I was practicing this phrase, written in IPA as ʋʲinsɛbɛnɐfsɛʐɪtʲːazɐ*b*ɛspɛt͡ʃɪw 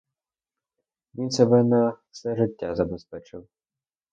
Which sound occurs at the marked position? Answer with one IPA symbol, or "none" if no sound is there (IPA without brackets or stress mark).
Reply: b